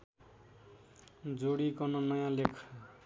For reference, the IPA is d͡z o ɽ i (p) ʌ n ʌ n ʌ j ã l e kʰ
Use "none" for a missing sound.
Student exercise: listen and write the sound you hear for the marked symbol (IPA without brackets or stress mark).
k